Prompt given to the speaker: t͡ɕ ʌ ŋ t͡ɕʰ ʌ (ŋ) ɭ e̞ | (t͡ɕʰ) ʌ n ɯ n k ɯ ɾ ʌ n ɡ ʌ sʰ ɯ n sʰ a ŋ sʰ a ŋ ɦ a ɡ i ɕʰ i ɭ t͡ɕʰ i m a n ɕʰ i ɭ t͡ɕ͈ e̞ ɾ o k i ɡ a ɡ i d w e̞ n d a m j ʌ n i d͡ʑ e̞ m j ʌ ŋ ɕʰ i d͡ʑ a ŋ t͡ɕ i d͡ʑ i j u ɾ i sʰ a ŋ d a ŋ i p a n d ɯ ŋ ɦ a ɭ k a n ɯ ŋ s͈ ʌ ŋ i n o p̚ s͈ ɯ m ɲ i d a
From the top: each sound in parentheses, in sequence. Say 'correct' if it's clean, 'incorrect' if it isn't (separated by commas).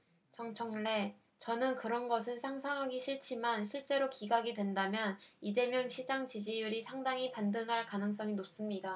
correct, incorrect